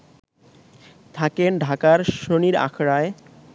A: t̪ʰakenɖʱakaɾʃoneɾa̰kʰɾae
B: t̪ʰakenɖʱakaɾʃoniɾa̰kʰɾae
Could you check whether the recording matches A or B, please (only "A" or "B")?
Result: B